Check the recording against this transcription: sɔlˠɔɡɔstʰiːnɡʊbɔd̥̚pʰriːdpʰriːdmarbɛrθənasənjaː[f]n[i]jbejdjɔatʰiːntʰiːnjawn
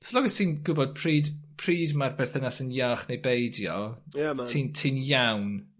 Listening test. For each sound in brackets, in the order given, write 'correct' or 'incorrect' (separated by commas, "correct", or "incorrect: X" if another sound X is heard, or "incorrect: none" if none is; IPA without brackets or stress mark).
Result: incorrect: χ, incorrect: e